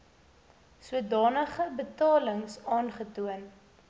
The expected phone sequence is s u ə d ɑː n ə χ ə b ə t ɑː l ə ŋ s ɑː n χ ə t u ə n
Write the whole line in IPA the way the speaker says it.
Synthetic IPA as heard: s u ə d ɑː n ə χ ə b ə t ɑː l ə ŋ s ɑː n χ ə t u ə n